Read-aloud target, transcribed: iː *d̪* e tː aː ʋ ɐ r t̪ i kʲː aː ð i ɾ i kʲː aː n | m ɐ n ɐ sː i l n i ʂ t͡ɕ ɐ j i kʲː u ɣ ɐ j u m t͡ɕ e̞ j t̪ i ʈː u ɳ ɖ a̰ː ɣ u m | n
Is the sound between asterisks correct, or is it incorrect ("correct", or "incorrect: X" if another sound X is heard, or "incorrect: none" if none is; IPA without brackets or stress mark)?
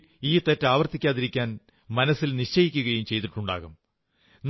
incorrect: t̪